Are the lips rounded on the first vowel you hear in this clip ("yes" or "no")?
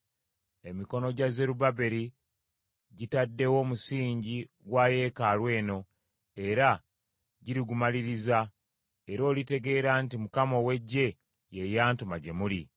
no